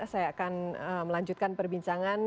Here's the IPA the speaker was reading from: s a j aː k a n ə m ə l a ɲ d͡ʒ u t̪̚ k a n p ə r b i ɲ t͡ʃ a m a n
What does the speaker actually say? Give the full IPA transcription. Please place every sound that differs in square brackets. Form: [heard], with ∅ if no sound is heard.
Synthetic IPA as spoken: s a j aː k a n ə m ə l a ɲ d͡ʒ u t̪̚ k a n p ə r b i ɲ t͡ʃ a [ŋ] a n